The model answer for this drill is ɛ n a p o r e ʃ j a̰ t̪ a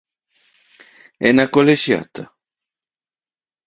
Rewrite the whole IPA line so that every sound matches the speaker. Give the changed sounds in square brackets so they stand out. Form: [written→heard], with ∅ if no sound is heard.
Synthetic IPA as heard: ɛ n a [p→k] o [r→l] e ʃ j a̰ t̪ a